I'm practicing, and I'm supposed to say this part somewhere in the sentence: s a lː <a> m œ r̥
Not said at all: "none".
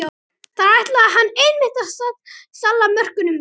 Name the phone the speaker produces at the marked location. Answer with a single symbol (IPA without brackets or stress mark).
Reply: a